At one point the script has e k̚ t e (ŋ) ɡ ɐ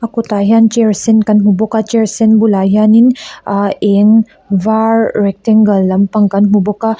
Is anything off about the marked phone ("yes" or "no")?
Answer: no